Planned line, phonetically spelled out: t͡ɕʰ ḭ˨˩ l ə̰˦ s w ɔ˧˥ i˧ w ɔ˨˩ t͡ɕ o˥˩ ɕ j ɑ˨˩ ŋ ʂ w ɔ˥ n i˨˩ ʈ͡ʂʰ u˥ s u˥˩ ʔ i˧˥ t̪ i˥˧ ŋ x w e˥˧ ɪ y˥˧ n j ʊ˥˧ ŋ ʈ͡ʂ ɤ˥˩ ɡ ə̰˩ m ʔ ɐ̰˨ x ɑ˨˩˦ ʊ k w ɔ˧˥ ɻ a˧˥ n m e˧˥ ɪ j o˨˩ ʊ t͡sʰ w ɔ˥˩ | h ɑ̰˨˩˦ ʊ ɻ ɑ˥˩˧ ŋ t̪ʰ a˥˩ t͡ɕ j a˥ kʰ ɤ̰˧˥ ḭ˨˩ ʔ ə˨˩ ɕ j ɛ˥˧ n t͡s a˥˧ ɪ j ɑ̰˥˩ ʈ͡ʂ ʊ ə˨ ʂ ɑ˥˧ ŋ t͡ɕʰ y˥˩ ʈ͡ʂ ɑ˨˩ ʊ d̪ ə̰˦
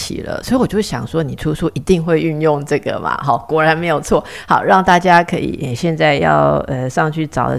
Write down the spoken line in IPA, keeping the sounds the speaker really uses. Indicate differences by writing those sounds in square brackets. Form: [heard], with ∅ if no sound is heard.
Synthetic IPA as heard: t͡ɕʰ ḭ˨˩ l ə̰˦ s w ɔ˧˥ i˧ w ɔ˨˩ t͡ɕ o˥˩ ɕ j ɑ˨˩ ŋ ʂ w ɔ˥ n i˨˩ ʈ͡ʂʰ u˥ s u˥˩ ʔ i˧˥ t̪ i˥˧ ŋ x w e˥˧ ɪ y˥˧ n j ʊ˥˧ ŋ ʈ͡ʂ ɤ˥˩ ɡ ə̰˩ m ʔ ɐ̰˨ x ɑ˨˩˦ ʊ k w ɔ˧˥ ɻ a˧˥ n m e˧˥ ɪ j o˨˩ ʊ t͡sʰ w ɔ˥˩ | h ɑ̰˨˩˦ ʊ ɻ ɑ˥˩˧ ŋ [t̪] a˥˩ t͡ɕ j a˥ kʰ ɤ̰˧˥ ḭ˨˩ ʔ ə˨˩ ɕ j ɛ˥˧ n t͡s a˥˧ ɪ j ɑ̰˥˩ [∅] ʊ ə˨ ʂ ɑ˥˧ ŋ t͡ɕʰ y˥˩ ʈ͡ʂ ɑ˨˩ ʊ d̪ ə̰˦